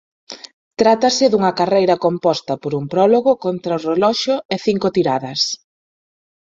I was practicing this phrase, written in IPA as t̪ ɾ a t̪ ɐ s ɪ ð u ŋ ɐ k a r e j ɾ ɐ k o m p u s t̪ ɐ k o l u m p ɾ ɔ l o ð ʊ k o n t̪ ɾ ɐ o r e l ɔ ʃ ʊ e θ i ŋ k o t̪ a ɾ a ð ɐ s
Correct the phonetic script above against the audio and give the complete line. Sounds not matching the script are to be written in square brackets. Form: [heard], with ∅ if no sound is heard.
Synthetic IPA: t̪ ɾ a t̪ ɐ s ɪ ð u ŋ ɐ k a r e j ɾ ɐ k o m p [ɔ] s t̪ ɐ [p] o [ɾ] u m p ɾ ɔ l o [ɣ] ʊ k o n t̪ ɾ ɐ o r e l ɔ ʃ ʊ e θ i ŋ k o t̪ [i] ɾ a ð ɐ s